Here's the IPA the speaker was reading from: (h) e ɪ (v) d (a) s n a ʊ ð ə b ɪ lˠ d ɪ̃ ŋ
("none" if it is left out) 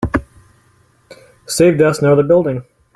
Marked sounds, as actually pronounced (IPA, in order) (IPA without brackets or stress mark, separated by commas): s, v, ʌ